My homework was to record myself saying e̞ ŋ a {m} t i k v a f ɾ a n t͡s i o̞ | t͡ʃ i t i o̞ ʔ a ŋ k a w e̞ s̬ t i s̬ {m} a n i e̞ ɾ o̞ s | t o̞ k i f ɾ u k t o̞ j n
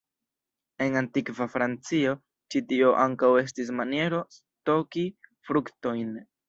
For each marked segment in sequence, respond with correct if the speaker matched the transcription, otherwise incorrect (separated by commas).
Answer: incorrect, correct